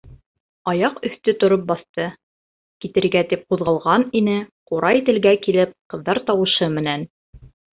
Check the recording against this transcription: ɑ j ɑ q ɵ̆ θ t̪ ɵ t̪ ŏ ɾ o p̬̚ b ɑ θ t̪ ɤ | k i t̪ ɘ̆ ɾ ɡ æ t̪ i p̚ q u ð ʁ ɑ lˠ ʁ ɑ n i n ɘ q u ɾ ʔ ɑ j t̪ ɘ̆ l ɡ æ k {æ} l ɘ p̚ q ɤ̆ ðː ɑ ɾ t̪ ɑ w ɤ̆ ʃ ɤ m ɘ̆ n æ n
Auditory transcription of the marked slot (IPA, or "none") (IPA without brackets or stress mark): i